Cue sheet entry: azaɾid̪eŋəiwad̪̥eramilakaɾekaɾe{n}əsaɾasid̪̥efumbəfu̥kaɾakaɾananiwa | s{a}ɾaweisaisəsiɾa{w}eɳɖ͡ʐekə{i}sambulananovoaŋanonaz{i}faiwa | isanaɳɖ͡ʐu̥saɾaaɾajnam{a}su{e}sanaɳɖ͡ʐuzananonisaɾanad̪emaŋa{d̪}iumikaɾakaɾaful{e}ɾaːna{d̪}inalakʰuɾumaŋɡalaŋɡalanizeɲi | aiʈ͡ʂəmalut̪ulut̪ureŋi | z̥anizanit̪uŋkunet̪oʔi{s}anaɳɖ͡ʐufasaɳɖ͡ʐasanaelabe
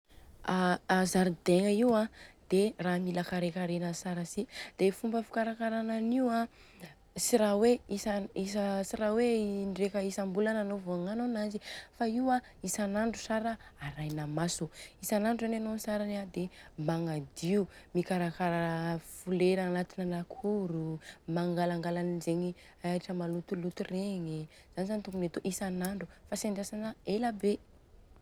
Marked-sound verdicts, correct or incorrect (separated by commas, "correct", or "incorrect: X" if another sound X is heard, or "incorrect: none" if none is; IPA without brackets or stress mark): correct, incorrect: i, correct, correct, correct, correct, incorrect: i, correct, correct, incorrect: t̪, correct